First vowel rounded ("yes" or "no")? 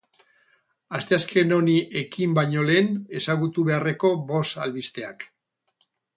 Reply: no